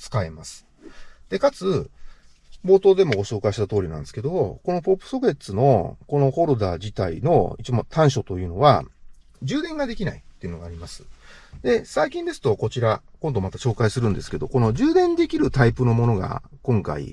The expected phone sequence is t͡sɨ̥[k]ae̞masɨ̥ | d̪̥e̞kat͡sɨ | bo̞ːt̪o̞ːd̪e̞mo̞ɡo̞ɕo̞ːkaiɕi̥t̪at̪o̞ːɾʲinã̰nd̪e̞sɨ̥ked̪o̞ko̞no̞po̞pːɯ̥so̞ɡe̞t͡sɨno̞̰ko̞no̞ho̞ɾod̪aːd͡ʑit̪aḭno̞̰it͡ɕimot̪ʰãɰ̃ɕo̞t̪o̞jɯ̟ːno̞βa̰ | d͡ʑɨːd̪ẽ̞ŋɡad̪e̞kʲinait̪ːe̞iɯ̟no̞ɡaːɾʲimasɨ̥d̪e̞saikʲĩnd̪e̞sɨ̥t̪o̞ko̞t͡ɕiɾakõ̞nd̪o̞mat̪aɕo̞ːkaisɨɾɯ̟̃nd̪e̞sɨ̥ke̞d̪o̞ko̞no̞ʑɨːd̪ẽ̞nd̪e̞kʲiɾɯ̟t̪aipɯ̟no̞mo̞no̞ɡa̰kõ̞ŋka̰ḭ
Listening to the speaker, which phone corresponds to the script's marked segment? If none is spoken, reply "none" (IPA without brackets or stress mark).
k